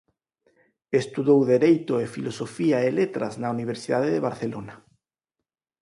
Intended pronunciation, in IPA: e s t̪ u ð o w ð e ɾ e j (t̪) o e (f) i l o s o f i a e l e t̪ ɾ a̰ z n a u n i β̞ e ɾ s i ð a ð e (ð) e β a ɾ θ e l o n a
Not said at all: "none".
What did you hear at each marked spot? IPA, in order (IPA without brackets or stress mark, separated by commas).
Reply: t̪, f, ð